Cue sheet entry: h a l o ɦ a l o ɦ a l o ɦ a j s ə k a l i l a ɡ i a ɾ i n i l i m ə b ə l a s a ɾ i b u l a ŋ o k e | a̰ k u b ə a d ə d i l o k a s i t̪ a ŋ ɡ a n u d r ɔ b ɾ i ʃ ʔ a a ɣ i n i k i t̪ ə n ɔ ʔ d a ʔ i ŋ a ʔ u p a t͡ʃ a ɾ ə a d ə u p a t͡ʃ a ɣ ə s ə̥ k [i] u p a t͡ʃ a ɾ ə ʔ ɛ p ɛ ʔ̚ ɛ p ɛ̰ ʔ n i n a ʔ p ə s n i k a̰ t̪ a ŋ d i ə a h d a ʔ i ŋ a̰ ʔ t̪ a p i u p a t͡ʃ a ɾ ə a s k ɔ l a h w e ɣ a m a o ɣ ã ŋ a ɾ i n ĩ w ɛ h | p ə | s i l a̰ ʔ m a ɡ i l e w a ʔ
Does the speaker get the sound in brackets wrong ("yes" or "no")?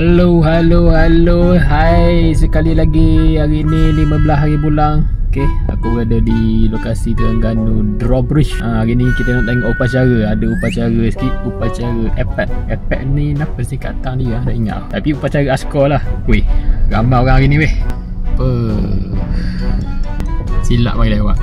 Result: no